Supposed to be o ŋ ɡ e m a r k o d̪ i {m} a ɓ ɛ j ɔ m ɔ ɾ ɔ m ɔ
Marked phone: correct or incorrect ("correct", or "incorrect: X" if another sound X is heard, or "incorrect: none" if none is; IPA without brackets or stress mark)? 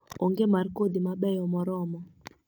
correct